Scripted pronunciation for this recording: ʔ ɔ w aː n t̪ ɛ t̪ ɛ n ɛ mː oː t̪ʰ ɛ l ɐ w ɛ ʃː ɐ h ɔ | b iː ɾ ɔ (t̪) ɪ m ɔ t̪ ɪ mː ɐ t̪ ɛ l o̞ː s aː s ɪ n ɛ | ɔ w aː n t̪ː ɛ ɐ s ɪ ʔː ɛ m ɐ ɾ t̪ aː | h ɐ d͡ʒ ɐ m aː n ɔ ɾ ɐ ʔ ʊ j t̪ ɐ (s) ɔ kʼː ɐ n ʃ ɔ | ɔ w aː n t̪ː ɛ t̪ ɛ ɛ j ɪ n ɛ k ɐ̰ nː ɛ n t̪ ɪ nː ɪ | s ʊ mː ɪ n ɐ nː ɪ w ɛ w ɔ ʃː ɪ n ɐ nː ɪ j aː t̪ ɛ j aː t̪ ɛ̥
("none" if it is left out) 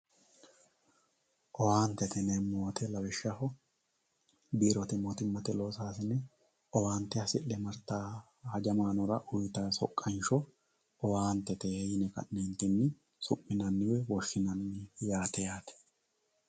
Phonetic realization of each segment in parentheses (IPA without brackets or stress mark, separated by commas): t̪, s